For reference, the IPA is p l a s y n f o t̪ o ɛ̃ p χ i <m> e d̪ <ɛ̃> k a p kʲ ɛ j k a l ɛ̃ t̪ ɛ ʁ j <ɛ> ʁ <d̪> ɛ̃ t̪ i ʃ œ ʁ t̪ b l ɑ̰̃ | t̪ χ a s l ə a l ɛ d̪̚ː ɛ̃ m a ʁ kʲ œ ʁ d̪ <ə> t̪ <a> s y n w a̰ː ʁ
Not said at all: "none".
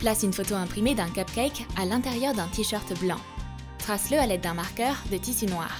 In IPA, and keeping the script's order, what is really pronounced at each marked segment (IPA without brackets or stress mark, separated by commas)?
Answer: m, ɛ̃, œ, d̪, ə, i